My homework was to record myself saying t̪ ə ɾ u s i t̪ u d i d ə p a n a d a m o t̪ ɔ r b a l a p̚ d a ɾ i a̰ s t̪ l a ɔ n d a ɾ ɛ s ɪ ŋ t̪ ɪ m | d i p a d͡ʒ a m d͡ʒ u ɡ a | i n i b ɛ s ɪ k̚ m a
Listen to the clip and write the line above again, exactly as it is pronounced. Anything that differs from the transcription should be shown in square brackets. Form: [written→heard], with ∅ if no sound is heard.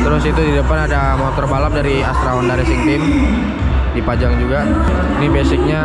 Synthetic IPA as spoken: t̪ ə ɾ [u→ʊ] s i t̪ u d i d ə p a n a d a m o t̪ ɔ r b a l a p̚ d a ɾ i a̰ s t̪ [l→ɾ] a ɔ n d a ɾ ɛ s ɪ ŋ t̪ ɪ m | d i p a d͡ʒ a [m→ŋ] d͡ʒ u ɡ a | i n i b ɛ s ɪ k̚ [m→ɲ] a

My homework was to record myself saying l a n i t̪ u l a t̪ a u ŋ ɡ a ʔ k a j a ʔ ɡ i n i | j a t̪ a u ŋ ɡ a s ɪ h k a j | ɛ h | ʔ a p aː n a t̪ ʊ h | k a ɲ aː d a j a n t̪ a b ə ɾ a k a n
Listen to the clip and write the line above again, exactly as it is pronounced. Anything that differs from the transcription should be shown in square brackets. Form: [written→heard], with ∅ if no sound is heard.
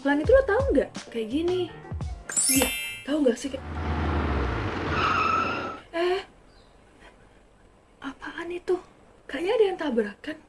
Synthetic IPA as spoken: l a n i t̪ u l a t̪ a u ŋ ɡ a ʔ k a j a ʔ ɡ i n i | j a t̪ a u ŋ ɡ a s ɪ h k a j | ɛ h | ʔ a p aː n [a→i] t̪ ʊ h | k a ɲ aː d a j a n t̪ a b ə ɾ a k a n

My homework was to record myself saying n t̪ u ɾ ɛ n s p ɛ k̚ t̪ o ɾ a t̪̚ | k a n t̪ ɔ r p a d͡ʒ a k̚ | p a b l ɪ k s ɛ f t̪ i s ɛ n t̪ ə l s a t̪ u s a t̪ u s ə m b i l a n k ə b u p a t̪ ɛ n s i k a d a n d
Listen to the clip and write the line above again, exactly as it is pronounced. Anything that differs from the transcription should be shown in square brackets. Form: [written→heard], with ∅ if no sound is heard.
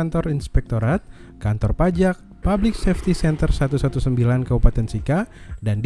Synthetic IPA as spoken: n t̪ [u→ɔ] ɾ [ɛ→i] n s p ɛ k̚ t̪ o ɾ a t̪̚ | k a n t̪ ɔ r p a d͡ʒ a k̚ | p a b l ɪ k s ɛ f t̪ i s ɛ n t̪ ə [l→r] s a t̪ u s a t̪ u s ə m b i l a n k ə b u p a t̪ ɛ n s i k a d a n d

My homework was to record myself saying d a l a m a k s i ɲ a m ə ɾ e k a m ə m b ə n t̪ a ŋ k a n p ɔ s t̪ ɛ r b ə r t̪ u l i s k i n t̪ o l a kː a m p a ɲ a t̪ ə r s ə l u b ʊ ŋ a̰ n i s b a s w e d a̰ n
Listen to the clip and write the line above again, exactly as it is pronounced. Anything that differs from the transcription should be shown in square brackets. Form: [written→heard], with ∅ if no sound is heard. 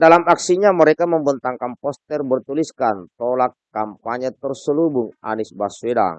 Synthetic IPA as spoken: d a l a m a k s i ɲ a m ə ɾ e k a m ə m b ə n t̪ a ŋ k a n p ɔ s t̪ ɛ r b ə r t̪ u l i s k [i→a] n t̪ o l a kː a m p a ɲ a t̪ ə r s ə l u b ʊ ŋ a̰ n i s b a s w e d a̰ [n→ŋ]

